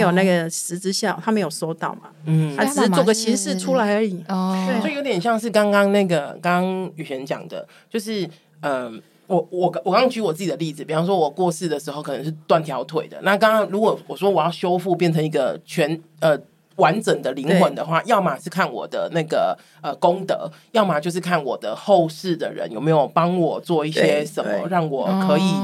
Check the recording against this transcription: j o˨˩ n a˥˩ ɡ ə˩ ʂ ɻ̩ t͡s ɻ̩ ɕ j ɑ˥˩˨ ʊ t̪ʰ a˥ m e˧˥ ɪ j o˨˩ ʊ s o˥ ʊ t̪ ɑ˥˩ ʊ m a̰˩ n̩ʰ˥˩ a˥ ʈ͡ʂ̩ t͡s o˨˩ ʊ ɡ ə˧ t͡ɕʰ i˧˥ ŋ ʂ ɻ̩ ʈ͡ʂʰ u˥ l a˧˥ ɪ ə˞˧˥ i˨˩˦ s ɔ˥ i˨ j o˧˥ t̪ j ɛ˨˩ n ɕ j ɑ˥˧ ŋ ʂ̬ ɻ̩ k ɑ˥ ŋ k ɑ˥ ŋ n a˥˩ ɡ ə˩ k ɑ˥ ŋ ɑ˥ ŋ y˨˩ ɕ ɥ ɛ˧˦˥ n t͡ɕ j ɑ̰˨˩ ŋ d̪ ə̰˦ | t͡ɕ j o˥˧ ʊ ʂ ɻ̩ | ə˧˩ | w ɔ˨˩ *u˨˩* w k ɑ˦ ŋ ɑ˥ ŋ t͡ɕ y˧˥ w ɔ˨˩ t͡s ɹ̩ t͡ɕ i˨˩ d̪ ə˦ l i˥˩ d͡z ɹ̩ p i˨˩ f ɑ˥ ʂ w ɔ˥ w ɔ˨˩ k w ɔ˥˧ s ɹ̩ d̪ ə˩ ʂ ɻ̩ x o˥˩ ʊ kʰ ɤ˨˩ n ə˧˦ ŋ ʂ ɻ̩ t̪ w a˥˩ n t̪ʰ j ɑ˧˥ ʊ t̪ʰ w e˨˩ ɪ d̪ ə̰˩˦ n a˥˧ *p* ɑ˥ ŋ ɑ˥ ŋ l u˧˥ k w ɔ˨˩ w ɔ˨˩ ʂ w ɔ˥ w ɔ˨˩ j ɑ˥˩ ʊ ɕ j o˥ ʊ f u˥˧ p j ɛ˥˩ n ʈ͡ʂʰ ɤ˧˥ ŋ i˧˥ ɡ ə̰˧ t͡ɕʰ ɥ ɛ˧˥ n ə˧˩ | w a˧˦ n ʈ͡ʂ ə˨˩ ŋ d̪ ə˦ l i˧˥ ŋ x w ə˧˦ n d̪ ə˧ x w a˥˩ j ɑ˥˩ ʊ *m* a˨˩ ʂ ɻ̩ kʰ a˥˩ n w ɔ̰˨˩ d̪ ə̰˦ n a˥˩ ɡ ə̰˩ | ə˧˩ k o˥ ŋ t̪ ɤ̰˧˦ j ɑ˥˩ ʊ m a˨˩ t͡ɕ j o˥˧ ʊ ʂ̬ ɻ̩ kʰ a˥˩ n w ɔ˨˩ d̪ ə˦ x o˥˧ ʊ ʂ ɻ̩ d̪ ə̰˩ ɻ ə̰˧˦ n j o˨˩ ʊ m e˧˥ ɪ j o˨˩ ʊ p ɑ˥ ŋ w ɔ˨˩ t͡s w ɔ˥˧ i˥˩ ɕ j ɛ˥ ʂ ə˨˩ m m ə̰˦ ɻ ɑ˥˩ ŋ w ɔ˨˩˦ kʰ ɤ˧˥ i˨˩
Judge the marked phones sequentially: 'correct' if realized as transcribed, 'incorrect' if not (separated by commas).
incorrect, incorrect, correct